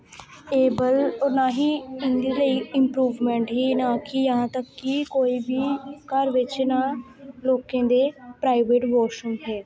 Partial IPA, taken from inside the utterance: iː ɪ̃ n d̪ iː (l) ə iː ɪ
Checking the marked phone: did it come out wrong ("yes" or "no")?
no